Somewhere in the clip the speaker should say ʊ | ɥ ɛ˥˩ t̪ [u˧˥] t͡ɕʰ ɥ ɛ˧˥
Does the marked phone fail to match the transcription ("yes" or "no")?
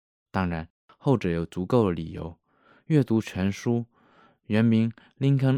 no